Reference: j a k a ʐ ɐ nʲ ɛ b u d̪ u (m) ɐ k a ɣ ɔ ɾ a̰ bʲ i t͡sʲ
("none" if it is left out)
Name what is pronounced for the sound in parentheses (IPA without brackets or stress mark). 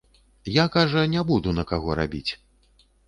n